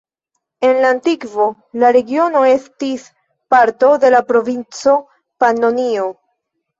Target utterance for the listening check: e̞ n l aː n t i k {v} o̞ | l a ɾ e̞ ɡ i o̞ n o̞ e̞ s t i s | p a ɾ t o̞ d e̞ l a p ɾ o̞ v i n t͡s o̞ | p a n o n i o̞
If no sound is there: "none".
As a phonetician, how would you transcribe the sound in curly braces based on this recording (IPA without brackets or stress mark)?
v